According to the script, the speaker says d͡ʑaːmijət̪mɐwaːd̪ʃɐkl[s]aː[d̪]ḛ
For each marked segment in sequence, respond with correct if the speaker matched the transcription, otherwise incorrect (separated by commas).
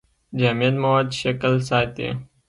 correct, incorrect